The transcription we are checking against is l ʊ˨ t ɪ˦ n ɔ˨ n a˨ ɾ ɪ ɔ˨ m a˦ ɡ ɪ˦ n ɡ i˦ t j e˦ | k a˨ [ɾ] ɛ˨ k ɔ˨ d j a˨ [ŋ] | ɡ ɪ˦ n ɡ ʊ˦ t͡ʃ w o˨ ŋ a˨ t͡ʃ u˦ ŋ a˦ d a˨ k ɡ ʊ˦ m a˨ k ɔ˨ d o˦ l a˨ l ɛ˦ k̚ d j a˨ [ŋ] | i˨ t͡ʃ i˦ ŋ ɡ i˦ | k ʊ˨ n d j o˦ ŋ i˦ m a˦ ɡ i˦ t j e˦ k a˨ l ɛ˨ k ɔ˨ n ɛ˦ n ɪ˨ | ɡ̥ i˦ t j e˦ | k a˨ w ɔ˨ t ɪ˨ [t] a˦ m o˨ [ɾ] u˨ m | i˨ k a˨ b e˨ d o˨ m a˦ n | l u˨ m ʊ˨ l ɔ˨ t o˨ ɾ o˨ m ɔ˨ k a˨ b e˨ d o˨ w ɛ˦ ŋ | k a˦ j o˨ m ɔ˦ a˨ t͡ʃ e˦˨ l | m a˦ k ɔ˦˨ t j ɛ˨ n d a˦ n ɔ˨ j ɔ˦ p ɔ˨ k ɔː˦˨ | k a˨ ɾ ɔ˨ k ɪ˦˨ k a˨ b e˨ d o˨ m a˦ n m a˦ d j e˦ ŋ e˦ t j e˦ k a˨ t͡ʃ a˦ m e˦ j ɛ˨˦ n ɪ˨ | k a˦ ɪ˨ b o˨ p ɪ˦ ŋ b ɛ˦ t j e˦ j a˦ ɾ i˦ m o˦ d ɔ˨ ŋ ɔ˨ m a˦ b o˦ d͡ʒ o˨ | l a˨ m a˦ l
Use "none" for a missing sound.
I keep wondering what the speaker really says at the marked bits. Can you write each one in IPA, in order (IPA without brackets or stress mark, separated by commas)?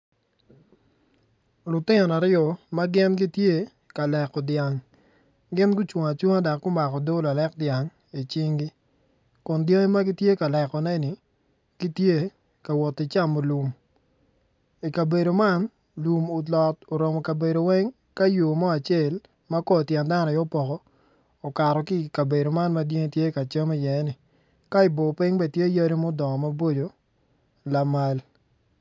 l, ŋ, ŋ, t͡ʃ, l